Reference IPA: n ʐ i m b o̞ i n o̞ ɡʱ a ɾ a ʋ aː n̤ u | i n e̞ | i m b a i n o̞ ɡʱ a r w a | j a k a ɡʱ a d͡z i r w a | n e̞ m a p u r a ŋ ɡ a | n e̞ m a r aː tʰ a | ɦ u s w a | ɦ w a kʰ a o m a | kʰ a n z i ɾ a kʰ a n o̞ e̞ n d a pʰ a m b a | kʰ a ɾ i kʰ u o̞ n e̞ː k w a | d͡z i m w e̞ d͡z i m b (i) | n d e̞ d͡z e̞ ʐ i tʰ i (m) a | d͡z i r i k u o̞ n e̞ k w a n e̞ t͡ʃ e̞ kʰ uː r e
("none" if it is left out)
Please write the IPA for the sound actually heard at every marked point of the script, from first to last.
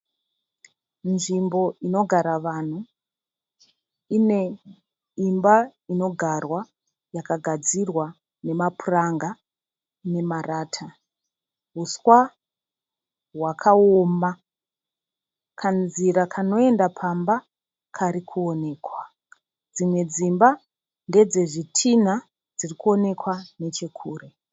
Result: a, n

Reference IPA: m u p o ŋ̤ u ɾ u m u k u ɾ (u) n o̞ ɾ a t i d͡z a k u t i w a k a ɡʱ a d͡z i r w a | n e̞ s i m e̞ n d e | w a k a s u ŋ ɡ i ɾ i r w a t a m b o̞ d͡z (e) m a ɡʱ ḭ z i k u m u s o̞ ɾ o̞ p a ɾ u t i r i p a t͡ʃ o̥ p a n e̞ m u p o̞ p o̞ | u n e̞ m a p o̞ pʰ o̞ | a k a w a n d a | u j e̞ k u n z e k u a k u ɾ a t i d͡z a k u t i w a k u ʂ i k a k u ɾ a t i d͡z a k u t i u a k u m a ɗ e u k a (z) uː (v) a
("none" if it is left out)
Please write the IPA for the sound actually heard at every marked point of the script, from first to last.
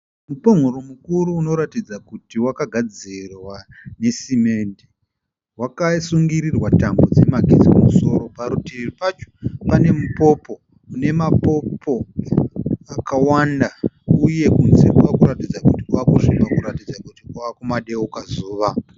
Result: uː, e, z, ʋ

